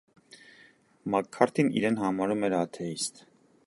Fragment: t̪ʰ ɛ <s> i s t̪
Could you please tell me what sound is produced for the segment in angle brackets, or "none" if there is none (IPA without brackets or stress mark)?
none